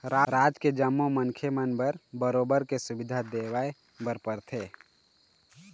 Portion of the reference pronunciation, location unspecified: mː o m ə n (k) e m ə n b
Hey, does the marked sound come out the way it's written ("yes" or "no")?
no